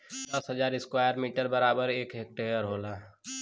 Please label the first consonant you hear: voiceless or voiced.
voiced